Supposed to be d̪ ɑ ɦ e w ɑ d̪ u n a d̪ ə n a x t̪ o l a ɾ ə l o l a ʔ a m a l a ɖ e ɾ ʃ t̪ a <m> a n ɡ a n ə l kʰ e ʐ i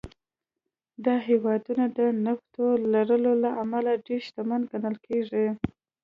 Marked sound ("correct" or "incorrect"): correct